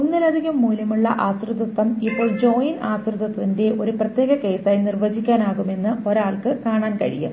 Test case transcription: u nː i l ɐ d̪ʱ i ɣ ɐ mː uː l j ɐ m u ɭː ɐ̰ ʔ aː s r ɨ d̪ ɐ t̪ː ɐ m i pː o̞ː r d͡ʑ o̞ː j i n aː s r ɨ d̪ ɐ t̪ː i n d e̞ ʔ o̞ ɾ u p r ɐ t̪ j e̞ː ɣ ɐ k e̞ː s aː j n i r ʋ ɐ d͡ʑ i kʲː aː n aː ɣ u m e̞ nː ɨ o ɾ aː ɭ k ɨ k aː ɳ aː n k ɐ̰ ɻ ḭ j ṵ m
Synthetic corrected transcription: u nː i l ɐ d̪ʱ i ɣ ɐ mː uː l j ɐ m u ɭː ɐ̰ ʔ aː s r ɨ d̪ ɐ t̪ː ɐ m i pː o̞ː ɭ d͡ʑ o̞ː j i n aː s r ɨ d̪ ɐ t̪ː i n d e̞ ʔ o̞ ɾ u p r ɐ t̪ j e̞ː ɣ ɐ k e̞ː s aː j n i r ʋ ɐ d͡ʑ i kʲː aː n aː ɣ u m e̞ nː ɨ o ɾ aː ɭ k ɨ k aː ɳ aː n k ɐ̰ ɻ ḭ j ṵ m

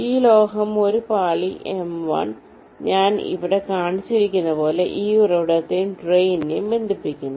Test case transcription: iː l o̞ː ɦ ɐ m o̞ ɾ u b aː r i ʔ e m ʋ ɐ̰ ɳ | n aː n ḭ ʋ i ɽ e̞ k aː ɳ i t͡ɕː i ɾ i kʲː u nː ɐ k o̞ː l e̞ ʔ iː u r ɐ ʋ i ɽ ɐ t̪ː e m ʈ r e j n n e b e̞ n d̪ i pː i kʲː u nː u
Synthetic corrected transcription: iː l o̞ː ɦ ɐ m o̞ ɾ u p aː ɭ i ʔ e m ʋ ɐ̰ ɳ | ɲ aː n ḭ ʋ i ɽ e̞ k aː ɳ i t͡ɕː i ɾ i kʲː u nː ɐ p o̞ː l e̞ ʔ iː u r ɐ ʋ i ɽ ɐ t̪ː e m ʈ r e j n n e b e̞ n d̪ i pː i kʲː u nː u

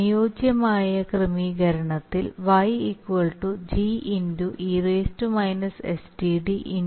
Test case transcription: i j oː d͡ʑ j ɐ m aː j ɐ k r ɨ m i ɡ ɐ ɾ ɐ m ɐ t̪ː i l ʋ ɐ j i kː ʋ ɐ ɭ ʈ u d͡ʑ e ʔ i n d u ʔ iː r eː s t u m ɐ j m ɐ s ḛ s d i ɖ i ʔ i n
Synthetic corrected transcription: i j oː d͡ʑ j ɐ m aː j ɐ k r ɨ m i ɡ ɐ ɾ ɐ ɳ ɐ t̪ː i l ʋ ɐ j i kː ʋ ɐ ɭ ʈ u d͡ʑ i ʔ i n d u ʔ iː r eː s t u m ɐ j n ɐ s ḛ s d i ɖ i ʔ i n

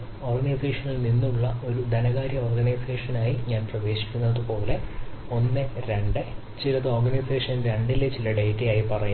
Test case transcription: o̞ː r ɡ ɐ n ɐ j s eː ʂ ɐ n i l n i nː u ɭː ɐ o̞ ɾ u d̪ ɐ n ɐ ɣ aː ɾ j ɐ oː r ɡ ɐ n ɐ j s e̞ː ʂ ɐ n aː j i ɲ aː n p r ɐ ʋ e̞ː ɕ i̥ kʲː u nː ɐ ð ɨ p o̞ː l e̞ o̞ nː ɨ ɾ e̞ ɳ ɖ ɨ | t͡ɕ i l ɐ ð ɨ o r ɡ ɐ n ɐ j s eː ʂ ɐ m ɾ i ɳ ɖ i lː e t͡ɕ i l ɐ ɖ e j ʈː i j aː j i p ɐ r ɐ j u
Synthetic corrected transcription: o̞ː r ɡ ɐ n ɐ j s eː ʂ ɐ n i l n i nː u ɭː ɐ o̞ ɾ u d̪ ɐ n ɐ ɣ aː ɾ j ɐ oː r ɡ ɐ n ɐ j s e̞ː ʂ ɐ n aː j i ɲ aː n p r ɐ ʋ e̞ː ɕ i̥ kʲː u nː ɐ ð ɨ p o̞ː l e̞ o̞ nː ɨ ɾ e̞ ɳ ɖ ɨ | t͡ɕ i l ɐ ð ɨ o r ɡ ɐ n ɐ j s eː ʂ ɐ n ɾ e ɳ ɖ i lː e t͡ɕ i l ɐ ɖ e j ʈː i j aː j i p ɐ r ɐ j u

